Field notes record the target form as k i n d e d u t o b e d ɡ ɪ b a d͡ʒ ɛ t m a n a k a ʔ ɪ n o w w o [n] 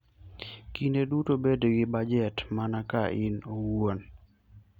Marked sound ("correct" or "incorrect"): correct